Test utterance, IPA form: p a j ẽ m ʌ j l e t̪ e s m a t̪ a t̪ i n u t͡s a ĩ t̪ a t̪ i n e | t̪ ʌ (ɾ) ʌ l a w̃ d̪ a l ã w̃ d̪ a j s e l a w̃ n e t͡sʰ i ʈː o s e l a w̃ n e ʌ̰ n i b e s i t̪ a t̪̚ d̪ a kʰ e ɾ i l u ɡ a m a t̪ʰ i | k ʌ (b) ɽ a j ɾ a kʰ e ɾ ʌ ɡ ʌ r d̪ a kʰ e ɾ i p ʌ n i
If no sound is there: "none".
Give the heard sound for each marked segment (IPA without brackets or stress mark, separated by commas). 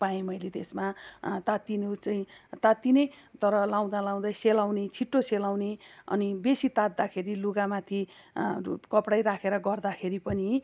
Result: ɾ, p